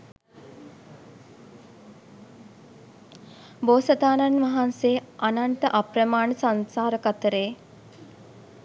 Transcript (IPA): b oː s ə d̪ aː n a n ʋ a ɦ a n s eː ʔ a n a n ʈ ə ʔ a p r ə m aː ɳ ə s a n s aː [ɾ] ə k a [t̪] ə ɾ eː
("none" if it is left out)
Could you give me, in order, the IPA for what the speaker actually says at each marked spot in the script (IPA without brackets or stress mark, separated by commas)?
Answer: ɾ, t̪